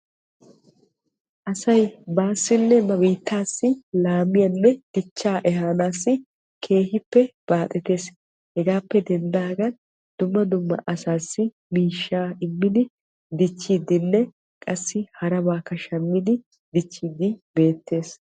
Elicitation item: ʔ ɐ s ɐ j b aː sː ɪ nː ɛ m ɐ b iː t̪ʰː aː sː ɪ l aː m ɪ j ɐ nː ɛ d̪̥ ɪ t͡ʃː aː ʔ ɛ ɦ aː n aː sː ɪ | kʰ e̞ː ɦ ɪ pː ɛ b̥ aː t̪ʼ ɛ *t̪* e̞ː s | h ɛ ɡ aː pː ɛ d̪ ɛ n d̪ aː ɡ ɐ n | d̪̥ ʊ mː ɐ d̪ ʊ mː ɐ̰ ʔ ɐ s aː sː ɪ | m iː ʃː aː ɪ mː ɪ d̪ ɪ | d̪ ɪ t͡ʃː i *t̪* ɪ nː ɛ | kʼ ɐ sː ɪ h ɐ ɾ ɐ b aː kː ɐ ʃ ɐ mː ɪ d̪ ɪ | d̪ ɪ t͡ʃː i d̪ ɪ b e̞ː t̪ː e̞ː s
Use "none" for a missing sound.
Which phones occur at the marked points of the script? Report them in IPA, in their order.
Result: t̪, d̪

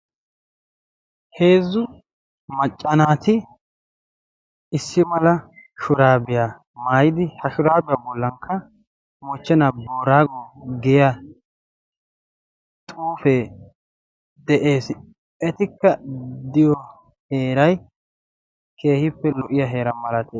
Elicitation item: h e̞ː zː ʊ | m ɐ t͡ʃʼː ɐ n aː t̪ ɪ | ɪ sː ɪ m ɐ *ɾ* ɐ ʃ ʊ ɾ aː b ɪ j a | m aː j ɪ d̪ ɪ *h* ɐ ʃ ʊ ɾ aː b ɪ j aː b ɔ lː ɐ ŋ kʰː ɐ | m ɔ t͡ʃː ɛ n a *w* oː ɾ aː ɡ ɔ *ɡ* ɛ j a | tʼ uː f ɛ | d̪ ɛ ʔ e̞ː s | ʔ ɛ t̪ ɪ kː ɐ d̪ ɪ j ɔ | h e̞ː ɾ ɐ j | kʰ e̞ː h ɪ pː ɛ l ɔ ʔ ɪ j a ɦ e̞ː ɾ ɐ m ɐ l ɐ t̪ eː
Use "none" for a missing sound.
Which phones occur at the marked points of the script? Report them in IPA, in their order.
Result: l, h, b, ɡ

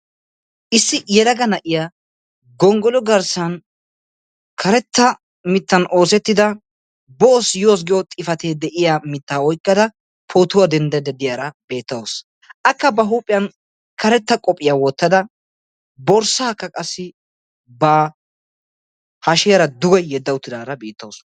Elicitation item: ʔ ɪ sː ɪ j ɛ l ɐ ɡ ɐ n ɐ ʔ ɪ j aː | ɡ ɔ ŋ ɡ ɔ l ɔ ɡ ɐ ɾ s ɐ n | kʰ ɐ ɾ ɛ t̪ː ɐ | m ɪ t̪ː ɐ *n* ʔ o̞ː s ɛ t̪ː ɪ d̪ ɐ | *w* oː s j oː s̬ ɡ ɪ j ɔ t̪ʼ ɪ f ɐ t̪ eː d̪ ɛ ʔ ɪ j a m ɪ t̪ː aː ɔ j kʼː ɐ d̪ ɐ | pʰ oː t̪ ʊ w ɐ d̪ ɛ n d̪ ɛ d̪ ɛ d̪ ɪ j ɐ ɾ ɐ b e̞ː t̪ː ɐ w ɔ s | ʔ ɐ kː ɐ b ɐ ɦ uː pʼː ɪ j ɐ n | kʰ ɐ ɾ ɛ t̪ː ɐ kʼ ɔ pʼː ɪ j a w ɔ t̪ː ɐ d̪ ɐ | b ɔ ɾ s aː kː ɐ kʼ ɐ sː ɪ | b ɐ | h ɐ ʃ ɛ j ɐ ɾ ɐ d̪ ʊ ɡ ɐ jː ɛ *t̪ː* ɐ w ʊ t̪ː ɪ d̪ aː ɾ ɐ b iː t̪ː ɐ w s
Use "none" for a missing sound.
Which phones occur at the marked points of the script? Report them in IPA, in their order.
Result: n, b, d̪ː

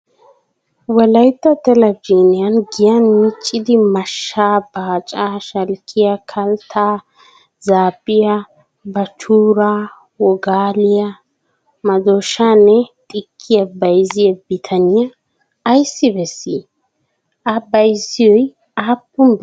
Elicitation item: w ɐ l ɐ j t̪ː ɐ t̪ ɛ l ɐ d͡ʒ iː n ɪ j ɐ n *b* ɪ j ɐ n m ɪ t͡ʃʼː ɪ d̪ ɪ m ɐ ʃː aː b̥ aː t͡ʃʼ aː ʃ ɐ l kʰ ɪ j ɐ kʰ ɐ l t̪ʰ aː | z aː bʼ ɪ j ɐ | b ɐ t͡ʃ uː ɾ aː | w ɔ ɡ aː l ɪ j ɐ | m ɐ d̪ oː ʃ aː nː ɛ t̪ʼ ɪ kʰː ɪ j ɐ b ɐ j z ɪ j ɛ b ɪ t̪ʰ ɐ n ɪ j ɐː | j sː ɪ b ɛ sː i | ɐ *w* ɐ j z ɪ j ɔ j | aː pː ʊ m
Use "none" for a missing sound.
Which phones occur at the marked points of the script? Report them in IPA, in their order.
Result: ɡ, b

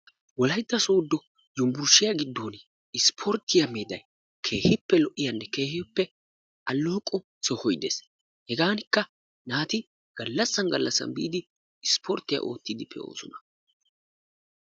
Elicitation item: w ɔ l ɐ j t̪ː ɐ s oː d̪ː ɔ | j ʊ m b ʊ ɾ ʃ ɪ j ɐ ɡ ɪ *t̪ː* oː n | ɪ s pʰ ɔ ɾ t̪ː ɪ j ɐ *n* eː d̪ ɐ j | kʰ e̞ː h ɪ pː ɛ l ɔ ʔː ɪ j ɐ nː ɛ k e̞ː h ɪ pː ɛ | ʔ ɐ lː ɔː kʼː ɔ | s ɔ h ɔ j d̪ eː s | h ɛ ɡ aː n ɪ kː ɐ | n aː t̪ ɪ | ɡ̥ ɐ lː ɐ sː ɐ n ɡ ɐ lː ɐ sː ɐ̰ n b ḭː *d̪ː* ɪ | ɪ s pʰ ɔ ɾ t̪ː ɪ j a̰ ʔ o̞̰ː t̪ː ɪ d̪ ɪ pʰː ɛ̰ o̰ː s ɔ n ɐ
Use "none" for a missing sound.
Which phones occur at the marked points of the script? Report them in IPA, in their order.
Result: d̪ː, m, d̪

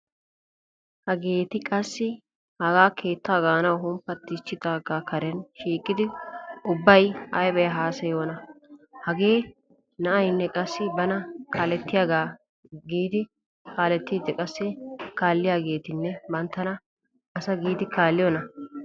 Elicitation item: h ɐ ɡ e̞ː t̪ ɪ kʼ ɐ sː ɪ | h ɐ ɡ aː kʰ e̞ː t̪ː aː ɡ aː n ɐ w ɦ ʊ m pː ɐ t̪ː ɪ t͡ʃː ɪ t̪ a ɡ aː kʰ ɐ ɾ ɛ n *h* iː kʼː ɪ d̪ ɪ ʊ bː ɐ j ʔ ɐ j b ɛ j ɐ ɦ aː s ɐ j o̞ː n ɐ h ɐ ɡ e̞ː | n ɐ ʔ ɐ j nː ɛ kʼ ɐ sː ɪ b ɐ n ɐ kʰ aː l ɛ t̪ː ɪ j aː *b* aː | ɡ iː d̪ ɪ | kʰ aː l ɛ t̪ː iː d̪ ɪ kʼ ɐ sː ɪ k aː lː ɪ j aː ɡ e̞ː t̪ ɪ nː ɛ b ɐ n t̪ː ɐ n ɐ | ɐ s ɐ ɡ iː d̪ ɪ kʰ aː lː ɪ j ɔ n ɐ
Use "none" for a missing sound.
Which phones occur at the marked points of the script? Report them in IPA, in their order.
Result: ʃ, ɡ

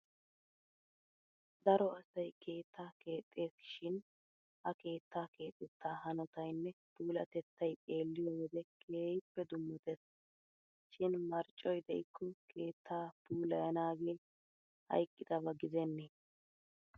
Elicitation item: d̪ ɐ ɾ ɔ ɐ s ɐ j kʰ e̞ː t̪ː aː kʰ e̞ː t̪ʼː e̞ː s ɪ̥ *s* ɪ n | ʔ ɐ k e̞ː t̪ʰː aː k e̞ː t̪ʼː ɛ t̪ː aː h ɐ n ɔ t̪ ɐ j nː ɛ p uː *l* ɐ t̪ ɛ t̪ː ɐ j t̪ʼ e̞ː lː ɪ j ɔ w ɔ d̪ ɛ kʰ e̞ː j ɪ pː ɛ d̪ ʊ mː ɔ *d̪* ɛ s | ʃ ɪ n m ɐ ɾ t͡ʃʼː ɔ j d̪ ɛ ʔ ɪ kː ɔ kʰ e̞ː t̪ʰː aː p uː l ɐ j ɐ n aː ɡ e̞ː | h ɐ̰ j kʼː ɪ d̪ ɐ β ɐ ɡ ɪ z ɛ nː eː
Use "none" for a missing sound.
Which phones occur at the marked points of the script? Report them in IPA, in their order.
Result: ʃ, l, t̪

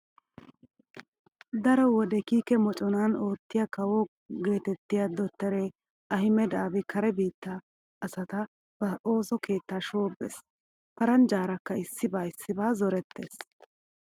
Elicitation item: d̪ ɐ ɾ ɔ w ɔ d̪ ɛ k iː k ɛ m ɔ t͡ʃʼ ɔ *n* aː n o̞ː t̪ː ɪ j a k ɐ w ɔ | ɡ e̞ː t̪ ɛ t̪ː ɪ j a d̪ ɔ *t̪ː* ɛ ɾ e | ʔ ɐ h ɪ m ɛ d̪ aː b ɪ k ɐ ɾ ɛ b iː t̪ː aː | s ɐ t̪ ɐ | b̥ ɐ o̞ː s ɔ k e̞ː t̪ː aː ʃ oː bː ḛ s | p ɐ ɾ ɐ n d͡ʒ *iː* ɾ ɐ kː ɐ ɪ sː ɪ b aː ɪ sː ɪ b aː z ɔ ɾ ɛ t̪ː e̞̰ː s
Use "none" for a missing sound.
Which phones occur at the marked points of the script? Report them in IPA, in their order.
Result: n, t̪ː, aː

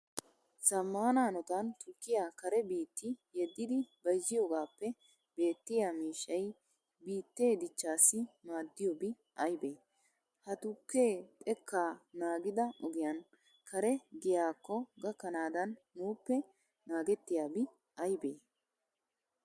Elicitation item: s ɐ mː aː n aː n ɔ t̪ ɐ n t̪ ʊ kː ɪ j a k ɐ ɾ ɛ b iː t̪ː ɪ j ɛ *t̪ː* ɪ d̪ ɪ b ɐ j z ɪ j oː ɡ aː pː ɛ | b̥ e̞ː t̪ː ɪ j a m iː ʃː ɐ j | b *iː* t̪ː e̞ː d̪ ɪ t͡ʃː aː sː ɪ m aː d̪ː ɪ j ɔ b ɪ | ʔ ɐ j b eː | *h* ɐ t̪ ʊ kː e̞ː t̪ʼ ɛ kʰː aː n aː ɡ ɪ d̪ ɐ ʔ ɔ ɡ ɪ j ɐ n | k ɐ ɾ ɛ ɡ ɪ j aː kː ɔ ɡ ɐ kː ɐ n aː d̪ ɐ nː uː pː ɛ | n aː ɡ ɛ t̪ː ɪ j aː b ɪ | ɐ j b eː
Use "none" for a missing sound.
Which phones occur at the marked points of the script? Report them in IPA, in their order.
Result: d̪ː, iː, h

